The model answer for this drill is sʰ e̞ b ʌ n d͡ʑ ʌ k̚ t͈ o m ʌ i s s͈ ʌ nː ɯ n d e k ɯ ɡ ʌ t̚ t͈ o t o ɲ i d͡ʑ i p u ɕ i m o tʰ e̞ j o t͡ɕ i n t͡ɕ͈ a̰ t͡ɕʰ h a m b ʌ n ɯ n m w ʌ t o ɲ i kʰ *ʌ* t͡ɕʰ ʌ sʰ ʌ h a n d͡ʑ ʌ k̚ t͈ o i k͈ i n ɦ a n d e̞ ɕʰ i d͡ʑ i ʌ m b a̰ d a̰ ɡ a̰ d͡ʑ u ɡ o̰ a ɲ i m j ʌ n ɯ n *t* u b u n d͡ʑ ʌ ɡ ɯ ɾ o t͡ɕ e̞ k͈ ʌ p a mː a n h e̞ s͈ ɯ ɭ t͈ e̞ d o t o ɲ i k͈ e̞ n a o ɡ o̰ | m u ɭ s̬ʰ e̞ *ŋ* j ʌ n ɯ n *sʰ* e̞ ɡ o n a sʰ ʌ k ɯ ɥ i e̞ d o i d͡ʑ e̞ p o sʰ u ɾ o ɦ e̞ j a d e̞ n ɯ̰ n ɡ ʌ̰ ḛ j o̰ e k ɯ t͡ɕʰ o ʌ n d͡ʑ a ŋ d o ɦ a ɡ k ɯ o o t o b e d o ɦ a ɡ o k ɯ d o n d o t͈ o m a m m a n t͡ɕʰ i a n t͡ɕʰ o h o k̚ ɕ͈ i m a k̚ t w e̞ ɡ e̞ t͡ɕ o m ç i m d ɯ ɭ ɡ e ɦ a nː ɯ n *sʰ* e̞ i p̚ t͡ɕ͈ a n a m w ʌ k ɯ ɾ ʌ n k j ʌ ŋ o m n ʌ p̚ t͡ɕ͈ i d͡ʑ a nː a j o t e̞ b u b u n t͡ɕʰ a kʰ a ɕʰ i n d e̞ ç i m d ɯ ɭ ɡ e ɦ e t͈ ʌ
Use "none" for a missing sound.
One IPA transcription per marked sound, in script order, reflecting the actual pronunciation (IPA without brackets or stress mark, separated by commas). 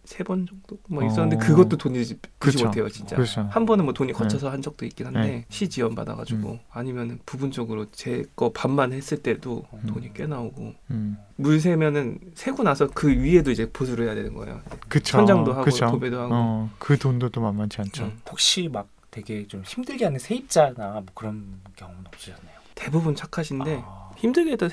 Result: ʌ, p, m, sʰ, sʰ